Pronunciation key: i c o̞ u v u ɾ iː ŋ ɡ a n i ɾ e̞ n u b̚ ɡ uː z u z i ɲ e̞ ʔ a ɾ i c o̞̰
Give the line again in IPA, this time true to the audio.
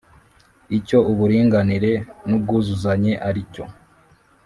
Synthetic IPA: i c o̞ u β u ɾ iː ŋ ɡ a n i ɾ e̞ n u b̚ ɡ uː z u z a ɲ e̞ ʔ a ɾ i c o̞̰